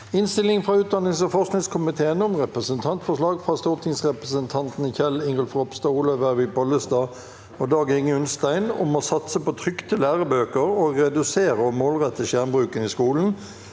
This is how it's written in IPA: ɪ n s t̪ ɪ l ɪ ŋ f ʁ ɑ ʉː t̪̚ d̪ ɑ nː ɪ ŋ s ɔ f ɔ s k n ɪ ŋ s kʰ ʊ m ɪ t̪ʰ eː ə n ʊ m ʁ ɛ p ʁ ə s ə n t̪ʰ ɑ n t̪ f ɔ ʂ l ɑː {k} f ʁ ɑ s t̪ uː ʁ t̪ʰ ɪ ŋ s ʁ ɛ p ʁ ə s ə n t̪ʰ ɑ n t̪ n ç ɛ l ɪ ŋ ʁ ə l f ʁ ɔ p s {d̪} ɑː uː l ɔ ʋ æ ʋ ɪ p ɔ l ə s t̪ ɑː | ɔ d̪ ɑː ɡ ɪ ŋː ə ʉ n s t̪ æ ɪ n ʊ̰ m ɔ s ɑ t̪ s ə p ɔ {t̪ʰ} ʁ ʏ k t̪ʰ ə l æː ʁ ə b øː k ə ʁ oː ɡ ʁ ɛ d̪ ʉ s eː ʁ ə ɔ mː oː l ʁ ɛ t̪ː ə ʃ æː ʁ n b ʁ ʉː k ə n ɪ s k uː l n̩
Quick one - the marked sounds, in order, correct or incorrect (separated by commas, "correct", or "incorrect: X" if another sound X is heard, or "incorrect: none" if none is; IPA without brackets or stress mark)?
incorrect: ɡ, incorrect: t̪, correct